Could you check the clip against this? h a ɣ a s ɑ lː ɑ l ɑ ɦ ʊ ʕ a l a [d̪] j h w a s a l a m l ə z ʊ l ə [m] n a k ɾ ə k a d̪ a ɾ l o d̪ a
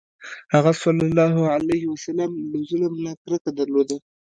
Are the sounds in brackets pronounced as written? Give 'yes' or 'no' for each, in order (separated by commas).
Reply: no, yes